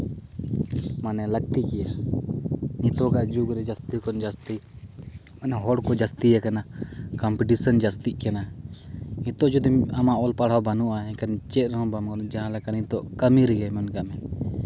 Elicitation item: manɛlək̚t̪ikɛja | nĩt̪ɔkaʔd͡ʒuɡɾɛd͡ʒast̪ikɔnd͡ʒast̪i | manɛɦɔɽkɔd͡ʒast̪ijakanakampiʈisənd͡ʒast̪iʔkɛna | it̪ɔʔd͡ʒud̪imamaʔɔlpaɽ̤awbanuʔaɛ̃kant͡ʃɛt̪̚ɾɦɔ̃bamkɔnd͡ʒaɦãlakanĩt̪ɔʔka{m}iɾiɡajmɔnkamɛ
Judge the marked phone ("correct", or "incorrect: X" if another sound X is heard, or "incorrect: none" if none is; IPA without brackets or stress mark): correct